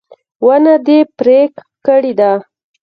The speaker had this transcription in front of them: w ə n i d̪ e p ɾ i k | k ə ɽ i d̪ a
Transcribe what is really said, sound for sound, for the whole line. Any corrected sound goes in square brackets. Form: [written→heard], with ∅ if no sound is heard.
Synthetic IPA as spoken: w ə n [i→a] d̪ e p ɾ [i→e] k | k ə ɽ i d̪ a